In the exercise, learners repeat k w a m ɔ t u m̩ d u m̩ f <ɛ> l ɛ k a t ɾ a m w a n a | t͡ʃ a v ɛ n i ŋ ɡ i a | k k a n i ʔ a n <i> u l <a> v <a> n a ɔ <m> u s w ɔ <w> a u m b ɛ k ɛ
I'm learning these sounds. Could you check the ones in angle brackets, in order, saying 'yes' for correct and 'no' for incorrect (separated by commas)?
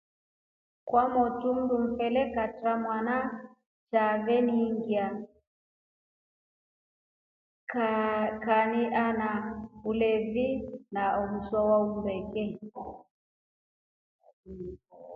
yes, no, no, no, yes, yes